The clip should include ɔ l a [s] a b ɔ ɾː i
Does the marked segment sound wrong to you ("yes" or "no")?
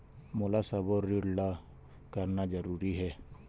no